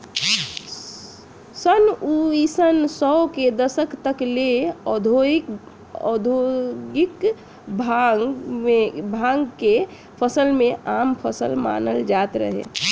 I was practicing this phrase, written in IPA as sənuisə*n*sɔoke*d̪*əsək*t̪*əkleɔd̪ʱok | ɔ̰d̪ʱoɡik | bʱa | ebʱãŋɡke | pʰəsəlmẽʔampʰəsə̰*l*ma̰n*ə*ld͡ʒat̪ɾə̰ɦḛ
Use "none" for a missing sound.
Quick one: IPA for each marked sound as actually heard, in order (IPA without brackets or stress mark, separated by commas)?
n, d̪, t̪, l, ə